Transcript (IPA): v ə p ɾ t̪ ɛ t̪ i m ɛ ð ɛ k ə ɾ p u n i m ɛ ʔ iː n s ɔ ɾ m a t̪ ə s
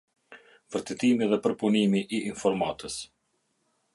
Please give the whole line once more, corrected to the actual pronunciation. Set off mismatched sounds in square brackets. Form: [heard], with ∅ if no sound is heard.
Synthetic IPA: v ə [∅] ɾ t̪ ɛ t̪ i m [i] ð ɛ [p] ə ɾ p u n i m [i] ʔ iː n [f] ɔ ɾ m a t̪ ə s